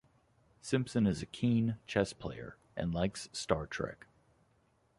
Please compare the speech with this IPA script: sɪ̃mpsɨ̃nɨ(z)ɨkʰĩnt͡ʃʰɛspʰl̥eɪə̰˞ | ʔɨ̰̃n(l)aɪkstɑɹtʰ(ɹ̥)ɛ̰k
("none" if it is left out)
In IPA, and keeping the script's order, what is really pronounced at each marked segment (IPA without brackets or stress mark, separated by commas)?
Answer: z, l, ɹ̥